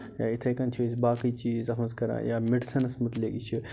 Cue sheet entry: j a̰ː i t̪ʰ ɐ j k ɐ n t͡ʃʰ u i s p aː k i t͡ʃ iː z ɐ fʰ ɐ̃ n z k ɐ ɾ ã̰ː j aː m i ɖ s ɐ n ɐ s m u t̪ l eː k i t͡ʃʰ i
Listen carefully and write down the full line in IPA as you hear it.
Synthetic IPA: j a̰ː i t̪ʰ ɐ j k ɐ n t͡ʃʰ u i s b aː k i t͡ʃ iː z ɐ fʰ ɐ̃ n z k ɐ ɾ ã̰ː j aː m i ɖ s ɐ n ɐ s m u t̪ l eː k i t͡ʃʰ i